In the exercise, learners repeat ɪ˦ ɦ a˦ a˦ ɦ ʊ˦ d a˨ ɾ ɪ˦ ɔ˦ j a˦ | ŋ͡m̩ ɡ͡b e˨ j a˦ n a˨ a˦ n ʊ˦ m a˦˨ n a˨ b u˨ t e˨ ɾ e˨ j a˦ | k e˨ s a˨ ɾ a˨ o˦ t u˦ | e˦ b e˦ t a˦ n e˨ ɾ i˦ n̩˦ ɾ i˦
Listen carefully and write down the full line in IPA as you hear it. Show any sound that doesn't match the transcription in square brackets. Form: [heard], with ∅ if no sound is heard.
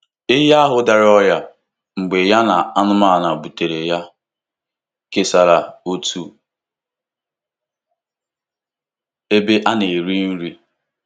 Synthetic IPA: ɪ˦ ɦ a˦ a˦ ɦ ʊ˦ d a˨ ɾ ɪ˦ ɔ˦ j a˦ | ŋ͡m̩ ɡ͡b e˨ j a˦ n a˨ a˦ n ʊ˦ m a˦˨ n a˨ b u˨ t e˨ ɾ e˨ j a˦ | k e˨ s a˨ ɾ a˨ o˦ t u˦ | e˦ b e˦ [ʔ] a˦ n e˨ ɾ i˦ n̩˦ ɾ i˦